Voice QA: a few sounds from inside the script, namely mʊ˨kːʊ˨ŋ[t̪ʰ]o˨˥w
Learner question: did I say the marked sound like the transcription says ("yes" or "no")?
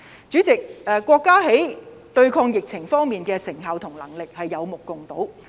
no